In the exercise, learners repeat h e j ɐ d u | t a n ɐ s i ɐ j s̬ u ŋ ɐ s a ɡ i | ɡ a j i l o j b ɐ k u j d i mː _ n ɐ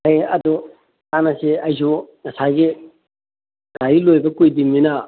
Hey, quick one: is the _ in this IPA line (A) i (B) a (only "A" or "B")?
A